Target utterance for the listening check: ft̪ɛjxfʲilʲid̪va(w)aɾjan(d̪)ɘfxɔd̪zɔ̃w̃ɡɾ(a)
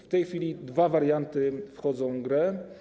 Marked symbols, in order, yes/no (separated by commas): no, no, no